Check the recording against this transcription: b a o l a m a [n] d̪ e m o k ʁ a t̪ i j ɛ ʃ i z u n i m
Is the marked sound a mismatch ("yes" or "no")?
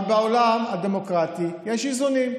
yes